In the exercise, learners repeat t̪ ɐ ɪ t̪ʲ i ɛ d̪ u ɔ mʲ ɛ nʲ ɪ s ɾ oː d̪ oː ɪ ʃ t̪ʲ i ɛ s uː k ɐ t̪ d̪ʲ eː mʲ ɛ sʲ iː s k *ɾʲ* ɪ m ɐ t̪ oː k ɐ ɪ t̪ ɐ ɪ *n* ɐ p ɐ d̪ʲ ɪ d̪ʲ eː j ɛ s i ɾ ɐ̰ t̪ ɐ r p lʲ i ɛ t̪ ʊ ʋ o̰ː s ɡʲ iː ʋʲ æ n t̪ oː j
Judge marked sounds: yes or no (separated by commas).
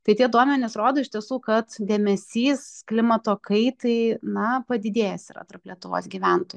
no, yes